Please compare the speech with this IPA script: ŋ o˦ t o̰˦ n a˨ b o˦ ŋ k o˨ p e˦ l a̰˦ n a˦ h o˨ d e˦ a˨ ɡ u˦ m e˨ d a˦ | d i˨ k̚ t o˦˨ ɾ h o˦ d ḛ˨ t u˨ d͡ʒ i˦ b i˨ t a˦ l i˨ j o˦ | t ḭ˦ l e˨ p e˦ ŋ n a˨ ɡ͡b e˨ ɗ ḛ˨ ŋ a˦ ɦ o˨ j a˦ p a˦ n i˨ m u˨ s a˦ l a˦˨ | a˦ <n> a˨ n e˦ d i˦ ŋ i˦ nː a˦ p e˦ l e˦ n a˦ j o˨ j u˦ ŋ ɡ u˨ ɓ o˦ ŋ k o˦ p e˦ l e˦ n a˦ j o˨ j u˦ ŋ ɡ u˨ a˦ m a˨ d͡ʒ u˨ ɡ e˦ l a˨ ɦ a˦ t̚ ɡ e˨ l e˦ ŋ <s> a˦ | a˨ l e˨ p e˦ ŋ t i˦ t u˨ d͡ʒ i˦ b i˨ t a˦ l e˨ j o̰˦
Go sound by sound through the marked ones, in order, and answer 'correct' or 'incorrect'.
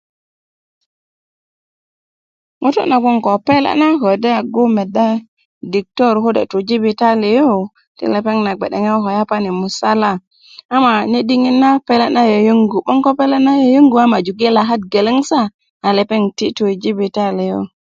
incorrect: m, correct

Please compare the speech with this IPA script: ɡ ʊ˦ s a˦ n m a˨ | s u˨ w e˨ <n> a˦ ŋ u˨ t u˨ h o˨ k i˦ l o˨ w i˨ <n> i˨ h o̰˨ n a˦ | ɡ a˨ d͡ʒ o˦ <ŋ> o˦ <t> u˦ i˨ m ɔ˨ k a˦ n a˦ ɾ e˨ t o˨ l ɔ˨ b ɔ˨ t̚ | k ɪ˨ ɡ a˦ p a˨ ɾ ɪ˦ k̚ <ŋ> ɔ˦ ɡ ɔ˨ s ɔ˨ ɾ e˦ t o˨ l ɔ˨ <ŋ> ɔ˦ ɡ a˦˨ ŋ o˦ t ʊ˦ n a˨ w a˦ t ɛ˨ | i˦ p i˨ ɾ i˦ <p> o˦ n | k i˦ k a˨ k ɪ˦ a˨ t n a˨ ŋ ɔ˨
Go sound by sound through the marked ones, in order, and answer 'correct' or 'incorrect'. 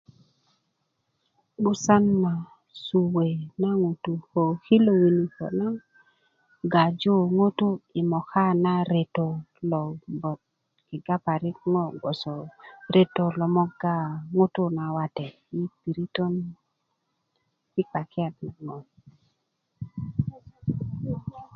correct, correct, correct, correct, correct, incorrect: m, incorrect: t

